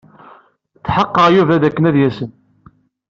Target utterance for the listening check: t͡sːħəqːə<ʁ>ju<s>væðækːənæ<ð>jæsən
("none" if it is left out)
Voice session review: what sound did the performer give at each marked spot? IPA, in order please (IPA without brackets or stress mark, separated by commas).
ʁ, none, ð